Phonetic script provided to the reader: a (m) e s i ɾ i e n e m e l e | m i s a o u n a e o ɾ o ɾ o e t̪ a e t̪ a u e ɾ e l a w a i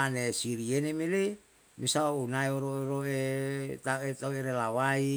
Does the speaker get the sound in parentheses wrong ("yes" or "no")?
yes